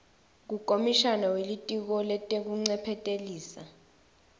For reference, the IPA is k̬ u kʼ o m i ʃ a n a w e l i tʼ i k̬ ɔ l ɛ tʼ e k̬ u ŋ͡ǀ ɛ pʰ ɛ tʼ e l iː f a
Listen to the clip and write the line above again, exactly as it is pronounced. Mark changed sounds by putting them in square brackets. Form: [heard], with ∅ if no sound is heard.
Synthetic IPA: k̬ u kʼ o m i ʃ a n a w e l i tʼ i k̬ ɔ l ɛ tʼ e k̬ u ŋ͡ǀ ɛ pʰ ɛ tʼ e l iː [s] a